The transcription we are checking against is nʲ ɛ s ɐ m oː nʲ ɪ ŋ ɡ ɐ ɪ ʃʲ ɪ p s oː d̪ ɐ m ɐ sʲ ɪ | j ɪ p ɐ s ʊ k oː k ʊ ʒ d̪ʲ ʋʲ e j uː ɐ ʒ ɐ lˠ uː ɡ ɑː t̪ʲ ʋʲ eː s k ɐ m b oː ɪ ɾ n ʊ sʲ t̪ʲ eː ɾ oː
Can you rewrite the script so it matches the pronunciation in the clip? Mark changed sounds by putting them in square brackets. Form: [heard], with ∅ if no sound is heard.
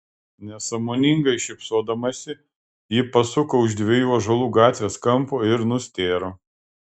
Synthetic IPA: nʲ ɛ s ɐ m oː nʲ ɪ ŋ ɡ ɐ ɪ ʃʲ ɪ p s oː d̪ ɐ m ɐ sʲ ɪ | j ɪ p ɐ s ʊ k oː [∅] ʊ ʒ d̪ʲ ʋʲ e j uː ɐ ʒ ɐ lˠ uː ɡ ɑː t̪ʲ ʋʲ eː s k ɐ m [p] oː ɪ ɾ n ʊ sʲ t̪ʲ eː ɾ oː